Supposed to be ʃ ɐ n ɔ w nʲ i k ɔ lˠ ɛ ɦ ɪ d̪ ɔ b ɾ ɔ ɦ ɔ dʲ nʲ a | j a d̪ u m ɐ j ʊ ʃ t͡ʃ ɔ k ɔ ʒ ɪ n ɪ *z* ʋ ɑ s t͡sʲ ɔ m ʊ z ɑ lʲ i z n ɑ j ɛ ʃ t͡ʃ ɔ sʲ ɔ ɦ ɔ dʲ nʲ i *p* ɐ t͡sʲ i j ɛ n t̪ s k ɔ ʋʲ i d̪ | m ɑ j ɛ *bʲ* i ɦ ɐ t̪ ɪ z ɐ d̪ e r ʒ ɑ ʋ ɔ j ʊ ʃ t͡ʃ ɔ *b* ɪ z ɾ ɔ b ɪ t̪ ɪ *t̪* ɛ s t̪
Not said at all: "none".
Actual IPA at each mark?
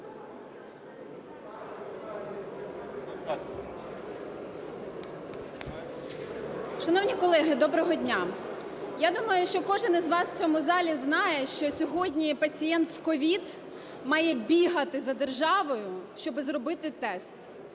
z, p, bʲ, b, t̪

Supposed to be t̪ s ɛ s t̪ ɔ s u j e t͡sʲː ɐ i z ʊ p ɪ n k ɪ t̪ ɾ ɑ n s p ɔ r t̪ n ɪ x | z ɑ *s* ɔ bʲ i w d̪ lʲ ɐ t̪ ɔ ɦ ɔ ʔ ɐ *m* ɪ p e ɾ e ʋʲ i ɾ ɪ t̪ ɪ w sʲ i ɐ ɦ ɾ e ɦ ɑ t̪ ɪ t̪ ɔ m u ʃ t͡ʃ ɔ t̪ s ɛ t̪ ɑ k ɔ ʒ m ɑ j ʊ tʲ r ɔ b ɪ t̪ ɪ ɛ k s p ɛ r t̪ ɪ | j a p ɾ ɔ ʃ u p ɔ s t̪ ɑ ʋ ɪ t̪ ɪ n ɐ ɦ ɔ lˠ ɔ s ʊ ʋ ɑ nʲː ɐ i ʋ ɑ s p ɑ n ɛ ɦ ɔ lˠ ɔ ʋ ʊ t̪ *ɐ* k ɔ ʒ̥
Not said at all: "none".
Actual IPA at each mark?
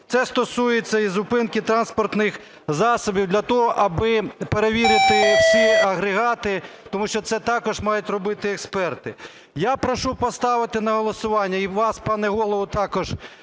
s, b, ɑ

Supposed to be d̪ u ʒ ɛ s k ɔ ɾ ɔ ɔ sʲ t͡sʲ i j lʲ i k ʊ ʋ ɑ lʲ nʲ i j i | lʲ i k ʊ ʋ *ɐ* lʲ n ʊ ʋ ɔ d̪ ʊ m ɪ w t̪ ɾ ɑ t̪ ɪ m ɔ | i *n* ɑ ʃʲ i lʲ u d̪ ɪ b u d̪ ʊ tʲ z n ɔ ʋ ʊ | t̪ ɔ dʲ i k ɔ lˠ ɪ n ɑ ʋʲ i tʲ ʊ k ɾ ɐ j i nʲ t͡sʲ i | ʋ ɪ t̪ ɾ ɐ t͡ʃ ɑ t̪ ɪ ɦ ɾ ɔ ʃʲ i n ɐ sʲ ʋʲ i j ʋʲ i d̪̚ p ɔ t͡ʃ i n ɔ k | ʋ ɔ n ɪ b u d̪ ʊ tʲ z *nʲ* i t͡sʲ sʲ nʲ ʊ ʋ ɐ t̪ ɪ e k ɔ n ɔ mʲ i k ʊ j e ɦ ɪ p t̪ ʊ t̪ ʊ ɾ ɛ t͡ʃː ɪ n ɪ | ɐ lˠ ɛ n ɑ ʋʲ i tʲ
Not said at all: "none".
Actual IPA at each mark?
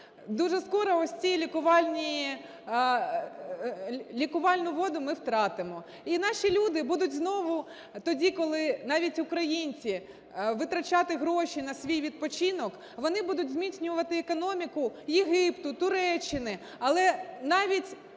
ɑ, n, mʲ

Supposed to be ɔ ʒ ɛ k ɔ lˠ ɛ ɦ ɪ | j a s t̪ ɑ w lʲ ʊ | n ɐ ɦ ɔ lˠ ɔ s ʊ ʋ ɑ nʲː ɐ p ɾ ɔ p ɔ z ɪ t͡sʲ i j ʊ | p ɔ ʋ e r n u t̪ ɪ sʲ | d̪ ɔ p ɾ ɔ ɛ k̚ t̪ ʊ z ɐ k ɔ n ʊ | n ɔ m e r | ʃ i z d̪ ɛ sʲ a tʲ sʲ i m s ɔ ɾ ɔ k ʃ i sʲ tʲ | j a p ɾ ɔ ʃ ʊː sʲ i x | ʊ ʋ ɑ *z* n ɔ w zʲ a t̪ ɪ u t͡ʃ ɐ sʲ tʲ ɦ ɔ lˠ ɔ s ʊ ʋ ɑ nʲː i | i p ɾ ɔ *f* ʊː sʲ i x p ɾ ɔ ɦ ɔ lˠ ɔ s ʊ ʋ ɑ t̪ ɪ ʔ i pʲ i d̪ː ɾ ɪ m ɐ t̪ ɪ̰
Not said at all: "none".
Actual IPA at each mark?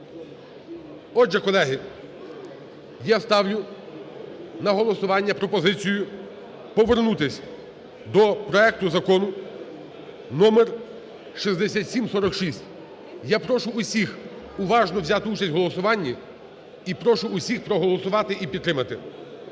ʒ, ʃ

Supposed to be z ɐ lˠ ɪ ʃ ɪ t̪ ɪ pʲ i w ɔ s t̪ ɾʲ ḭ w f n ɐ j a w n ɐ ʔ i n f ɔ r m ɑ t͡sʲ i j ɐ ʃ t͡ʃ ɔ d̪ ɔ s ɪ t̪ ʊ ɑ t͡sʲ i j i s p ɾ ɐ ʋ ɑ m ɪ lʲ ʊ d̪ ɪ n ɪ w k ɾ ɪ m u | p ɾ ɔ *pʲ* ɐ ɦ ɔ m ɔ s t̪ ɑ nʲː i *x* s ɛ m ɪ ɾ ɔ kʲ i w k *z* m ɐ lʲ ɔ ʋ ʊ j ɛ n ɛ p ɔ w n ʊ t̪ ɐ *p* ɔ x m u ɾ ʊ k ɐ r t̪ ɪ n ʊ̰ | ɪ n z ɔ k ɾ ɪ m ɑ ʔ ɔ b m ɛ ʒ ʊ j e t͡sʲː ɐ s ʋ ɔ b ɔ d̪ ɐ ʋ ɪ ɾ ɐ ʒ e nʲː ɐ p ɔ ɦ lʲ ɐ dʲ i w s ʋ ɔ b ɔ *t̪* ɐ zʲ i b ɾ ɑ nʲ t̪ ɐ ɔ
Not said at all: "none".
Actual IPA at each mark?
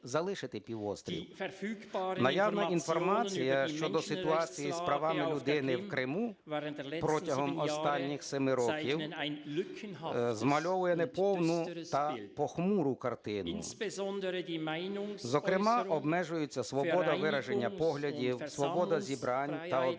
tʲ, x, z, p, d̪

